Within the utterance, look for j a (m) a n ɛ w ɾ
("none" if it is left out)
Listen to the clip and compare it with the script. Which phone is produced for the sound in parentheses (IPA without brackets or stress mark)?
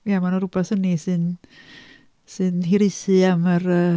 m